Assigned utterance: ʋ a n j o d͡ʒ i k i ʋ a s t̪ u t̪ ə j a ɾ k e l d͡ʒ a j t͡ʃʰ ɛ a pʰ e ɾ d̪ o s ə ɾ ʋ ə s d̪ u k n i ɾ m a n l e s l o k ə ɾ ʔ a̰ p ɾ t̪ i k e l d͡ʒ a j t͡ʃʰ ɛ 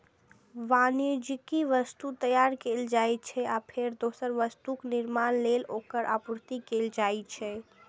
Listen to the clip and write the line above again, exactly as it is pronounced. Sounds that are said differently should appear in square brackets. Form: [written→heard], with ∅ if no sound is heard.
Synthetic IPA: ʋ a n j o d͡ʒ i k i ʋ [a→ə] s t̪ u t̪ ə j a ɾ k e l d͡ʒ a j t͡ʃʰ ɛ a pʰ e ɾ d̪ o s ə ɾ ʋ ə s [d̪→t̪] u k n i ɾ m a n l e [s→∅] l o k ə ɾ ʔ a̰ p ɾ t̪ i k e l d͡ʒ a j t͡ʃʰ ɛ